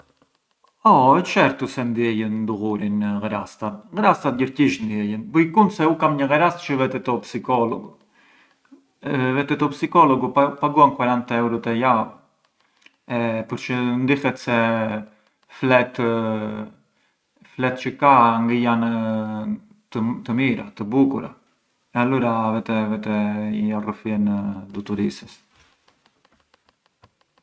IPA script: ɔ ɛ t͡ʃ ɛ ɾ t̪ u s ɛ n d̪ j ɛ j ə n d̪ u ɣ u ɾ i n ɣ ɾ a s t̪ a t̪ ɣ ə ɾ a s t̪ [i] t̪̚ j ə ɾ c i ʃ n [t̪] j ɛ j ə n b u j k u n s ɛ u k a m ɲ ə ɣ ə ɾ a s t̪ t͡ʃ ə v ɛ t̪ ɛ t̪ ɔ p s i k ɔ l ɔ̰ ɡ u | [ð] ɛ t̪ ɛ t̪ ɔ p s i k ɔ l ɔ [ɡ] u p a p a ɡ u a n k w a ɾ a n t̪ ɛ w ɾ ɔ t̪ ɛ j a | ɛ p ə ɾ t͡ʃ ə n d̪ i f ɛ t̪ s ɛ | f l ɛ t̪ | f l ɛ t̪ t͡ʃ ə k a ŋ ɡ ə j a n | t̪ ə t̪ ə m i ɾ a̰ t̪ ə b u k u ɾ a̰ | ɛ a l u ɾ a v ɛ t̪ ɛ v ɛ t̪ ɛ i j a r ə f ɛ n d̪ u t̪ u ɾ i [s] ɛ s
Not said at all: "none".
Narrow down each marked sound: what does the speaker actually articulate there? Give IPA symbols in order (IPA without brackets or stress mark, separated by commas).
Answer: a, d̪, v, ɡ, s